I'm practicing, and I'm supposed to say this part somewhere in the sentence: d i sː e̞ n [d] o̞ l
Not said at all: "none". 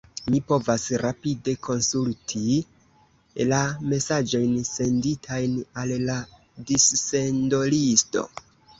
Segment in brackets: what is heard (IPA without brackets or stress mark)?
d